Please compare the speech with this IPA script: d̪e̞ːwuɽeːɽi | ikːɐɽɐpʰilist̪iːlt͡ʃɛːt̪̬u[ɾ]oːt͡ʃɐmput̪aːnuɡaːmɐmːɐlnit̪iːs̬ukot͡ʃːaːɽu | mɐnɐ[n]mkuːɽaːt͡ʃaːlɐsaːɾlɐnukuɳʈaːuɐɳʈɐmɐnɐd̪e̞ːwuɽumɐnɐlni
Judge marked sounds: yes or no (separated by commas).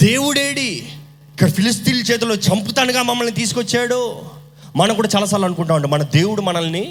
no, no